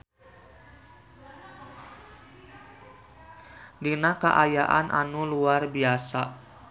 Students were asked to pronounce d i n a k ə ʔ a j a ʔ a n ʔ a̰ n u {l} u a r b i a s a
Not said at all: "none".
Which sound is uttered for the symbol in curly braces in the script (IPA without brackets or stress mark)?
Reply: l